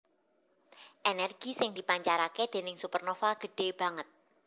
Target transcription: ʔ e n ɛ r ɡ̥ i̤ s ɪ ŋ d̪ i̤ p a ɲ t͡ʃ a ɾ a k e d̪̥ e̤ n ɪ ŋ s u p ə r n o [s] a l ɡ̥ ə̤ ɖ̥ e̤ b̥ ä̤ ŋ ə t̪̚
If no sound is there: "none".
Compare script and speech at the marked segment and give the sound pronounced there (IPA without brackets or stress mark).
f